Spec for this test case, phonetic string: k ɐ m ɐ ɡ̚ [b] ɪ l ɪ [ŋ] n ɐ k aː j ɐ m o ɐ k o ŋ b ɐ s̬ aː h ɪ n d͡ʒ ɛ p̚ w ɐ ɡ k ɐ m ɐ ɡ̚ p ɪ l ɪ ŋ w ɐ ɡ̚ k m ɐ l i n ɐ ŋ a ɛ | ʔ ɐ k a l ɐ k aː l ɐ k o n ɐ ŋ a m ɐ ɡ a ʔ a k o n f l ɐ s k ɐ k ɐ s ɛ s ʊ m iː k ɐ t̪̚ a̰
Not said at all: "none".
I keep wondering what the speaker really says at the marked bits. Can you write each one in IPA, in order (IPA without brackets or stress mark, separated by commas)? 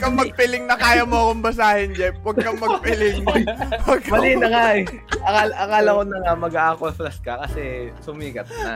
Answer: p, ŋ